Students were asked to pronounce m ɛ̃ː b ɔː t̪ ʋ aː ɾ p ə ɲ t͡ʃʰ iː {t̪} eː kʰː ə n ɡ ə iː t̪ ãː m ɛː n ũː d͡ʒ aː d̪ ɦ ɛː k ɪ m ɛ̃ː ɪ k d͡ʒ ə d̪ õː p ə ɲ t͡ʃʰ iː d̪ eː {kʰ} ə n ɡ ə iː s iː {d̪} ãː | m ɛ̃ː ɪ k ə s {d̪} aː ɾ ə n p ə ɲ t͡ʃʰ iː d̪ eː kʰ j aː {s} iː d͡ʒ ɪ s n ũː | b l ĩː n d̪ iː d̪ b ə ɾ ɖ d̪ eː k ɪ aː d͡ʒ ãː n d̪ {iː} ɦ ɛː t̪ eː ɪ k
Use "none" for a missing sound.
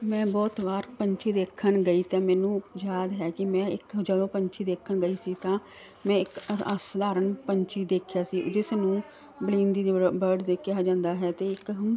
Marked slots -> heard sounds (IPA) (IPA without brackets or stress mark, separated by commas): d̪, kʰ, t̪, d̪, s, aː